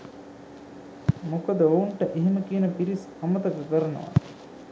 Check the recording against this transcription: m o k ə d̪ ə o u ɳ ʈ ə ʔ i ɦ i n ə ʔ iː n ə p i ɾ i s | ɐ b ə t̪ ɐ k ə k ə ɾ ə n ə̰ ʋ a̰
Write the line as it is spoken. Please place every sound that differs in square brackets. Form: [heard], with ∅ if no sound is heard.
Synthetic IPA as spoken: m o k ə d̪ ə o u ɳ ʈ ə ʔ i ɦ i [m] ə [k] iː n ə p i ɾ i s | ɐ [m] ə t̪ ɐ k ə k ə ɾ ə n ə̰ ʋ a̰